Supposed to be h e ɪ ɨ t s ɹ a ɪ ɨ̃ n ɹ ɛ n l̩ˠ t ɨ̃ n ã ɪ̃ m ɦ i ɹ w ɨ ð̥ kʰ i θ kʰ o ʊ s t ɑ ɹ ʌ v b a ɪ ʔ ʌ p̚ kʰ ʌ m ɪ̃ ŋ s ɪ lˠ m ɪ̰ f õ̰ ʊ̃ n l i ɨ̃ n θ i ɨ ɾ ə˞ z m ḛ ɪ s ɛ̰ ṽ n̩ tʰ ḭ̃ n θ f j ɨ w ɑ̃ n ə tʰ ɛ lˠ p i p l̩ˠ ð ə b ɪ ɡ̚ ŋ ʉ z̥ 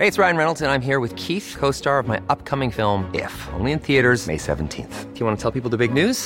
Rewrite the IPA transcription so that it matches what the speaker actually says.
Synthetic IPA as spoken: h e ɪ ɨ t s ɹ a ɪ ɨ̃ n ɹ ɛ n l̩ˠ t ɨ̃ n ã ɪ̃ m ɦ i ɹ w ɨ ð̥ kʰ i θ kʰ o ʊ s t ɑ ɹ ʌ v m a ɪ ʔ ʌ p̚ kʰ ʌ m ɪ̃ ŋ f ɪ lˠ m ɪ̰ f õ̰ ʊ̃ n l i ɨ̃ n θ i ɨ ɾ ə˞ z m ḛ ɪ s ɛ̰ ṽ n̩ tʰ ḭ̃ n θ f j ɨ w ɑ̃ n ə tʰ ɛ lˠ p i p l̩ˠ ð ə b ɪ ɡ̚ n ʉ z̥